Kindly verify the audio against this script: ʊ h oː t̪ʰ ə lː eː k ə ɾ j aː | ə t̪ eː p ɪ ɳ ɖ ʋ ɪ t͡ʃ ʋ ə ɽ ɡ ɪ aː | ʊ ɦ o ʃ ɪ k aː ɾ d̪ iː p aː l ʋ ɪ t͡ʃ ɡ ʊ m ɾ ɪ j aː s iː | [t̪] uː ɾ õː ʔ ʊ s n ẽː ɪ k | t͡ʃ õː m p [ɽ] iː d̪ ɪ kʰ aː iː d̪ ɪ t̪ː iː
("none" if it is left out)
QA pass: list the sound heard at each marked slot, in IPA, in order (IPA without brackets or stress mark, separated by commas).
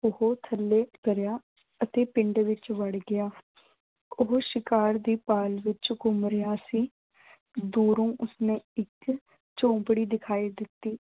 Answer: d̪, ɽ